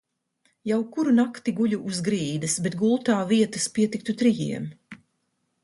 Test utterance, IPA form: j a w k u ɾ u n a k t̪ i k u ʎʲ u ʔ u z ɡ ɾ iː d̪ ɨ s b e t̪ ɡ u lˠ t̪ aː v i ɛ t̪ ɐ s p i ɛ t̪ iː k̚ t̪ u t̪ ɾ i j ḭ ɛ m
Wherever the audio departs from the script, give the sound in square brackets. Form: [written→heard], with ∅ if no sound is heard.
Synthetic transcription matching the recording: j a w k u ɾ u n a k t̪ i [k→ɡ] u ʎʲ u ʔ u z ɡ ɾ iː d̪ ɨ s b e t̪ ɡ u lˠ t̪ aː v i ɛ t̪ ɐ s p i ɛ t̪ [iː→i] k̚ t̪ u t̪ ɾ i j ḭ ɛ m